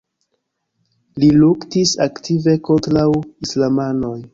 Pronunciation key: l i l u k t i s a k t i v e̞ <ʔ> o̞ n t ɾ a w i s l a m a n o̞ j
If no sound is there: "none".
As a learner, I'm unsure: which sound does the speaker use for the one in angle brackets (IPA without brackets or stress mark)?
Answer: k